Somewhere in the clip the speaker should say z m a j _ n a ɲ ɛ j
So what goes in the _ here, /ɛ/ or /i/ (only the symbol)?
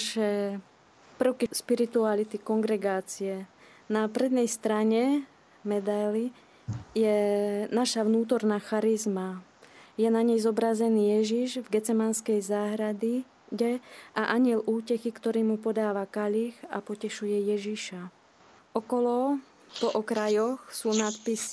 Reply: ɛ